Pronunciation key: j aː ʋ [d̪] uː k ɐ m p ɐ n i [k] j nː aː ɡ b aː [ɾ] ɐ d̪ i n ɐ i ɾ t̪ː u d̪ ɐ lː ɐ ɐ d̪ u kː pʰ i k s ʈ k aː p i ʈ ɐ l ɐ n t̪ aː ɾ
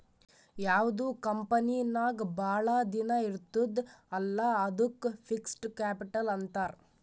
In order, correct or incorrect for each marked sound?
correct, incorrect: none, incorrect: ɭ

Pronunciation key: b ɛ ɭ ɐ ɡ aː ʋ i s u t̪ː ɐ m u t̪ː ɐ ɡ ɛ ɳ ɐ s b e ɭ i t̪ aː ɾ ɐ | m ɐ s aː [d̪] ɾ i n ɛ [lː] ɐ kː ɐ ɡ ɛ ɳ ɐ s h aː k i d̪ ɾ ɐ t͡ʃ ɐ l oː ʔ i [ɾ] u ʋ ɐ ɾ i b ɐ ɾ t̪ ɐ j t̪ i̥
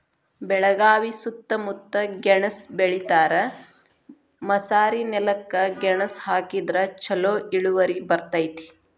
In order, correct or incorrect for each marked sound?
incorrect: none, incorrect: l, incorrect: ɭ

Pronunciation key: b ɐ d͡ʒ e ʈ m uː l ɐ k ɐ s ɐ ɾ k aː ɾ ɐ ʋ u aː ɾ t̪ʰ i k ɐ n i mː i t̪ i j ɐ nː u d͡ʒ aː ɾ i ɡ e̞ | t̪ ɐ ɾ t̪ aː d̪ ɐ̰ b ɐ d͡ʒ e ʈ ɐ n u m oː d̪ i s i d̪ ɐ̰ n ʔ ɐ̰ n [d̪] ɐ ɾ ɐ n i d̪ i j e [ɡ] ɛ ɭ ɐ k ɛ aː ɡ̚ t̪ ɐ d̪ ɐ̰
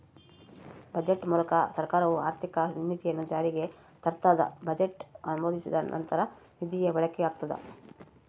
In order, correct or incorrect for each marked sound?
incorrect: t̪, incorrect: b

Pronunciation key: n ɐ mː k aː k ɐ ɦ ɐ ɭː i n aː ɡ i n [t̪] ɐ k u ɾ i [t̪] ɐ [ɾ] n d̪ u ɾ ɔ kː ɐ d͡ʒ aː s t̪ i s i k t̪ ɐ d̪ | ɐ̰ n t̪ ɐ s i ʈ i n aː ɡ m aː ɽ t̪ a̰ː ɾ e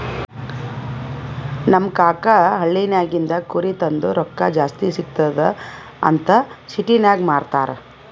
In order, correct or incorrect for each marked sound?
incorrect: d̪, correct, incorrect: none

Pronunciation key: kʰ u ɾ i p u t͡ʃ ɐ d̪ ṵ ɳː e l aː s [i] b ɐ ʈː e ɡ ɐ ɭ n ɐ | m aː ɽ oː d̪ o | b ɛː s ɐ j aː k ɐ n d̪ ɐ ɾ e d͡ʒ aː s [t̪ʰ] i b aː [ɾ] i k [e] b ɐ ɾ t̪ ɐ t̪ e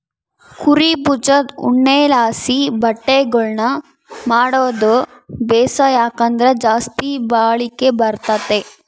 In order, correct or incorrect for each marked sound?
correct, incorrect: t̪, incorrect: ɭ, correct

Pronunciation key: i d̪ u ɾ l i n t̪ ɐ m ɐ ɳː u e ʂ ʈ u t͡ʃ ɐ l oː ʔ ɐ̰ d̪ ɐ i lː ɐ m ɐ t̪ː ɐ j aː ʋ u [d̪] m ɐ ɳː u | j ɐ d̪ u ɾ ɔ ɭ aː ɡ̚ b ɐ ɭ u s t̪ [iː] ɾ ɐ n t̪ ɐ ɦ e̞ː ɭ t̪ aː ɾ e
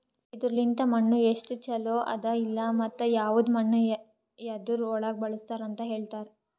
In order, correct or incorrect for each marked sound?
correct, incorrect: aː

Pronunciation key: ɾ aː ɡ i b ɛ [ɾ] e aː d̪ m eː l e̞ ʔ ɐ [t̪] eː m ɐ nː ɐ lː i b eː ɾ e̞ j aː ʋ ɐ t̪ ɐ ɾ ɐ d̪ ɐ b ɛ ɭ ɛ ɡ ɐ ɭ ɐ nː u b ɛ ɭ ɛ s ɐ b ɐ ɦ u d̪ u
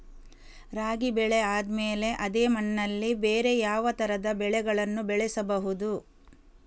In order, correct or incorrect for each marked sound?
incorrect: ɭ, incorrect: d̪

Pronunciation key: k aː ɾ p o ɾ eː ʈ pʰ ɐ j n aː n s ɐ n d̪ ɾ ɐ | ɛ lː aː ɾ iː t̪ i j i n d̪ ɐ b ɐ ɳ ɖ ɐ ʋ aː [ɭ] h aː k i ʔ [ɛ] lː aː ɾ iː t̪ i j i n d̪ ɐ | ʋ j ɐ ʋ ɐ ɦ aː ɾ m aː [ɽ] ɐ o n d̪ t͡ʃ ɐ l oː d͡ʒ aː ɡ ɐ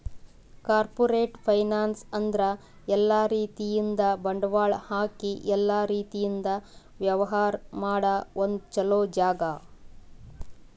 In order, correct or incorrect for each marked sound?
correct, correct, correct

